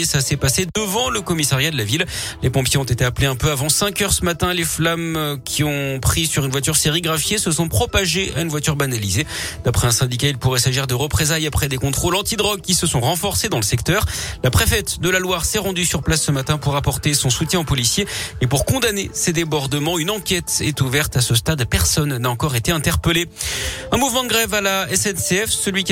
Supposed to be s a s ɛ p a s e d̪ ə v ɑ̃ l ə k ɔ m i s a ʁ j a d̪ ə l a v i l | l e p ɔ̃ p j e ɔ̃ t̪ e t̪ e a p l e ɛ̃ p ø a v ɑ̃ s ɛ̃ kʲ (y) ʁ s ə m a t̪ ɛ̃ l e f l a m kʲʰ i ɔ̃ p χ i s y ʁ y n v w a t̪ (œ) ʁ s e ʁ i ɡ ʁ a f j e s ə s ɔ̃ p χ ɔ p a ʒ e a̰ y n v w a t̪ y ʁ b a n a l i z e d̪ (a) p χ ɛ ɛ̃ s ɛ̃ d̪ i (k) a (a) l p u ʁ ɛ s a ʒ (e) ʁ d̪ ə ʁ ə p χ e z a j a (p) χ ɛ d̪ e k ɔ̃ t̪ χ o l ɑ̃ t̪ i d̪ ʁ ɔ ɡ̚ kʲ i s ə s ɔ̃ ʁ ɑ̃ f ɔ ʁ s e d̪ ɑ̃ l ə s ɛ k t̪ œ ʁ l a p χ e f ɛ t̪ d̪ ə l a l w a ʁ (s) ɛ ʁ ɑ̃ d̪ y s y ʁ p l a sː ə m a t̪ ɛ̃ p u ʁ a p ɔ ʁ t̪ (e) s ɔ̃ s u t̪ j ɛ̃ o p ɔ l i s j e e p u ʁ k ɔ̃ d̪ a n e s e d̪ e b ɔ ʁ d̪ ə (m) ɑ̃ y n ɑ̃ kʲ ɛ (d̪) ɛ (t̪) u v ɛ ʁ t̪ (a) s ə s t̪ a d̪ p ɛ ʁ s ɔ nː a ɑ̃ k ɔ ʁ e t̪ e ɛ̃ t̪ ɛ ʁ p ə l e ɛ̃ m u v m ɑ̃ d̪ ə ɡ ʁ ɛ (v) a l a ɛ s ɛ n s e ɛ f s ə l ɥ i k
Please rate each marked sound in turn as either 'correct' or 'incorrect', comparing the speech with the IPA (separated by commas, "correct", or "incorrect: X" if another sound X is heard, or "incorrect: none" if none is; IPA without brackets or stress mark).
incorrect: œ, incorrect: y, correct, correct, incorrect: i, incorrect: i, correct, correct, correct, correct, incorrect: t̪, correct, correct, correct